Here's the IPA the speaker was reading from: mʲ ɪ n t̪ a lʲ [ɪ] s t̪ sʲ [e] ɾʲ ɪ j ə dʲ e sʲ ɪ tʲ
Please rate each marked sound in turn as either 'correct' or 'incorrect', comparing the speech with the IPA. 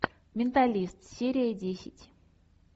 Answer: incorrect, correct

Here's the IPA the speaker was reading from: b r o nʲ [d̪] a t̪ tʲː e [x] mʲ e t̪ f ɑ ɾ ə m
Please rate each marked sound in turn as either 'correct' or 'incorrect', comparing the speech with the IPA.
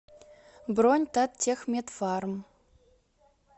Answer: incorrect, correct

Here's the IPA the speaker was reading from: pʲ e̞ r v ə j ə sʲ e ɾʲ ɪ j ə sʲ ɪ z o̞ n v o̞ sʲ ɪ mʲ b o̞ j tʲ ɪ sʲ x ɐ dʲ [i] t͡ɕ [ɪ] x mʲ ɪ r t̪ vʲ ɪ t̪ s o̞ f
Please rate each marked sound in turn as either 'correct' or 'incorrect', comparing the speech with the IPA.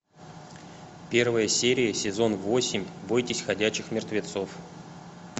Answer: incorrect, correct

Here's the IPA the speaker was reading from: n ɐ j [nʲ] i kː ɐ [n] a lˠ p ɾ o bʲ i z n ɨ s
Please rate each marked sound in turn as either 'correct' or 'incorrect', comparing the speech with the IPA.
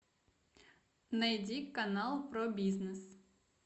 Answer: incorrect, correct

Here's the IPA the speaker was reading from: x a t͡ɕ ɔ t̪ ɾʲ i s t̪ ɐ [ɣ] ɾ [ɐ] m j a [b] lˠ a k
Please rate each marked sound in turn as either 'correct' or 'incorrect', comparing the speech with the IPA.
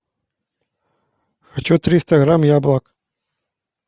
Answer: correct, incorrect, correct

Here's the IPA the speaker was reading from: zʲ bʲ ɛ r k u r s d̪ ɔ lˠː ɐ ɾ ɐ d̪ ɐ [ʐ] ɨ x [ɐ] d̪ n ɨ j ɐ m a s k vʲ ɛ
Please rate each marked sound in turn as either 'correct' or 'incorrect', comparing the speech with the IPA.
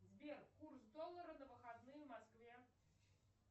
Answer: incorrect, incorrect

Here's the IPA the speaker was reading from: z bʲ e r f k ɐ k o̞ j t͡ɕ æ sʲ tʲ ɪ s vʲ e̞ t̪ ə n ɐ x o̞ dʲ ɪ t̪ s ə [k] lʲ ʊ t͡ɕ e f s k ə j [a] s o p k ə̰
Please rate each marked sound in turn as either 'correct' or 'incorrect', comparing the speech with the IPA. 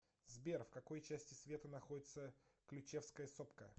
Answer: correct, incorrect

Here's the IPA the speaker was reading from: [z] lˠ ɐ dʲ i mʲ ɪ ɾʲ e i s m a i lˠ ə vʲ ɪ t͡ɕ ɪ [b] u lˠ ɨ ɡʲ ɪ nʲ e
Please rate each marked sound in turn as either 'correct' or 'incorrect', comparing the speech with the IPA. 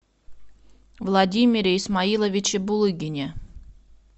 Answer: incorrect, correct

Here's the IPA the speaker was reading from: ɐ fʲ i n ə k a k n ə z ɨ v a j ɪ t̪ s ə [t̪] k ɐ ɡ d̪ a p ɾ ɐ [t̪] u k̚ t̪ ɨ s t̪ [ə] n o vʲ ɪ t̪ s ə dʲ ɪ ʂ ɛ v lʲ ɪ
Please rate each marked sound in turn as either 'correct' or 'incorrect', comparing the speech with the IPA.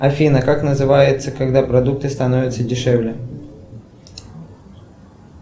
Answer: incorrect, incorrect, incorrect

